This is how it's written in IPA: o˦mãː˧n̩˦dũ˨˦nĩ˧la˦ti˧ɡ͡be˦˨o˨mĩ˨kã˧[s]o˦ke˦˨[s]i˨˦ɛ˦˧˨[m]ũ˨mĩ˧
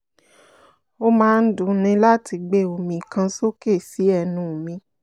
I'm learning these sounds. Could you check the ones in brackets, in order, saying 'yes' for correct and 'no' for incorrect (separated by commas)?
yes, yes, no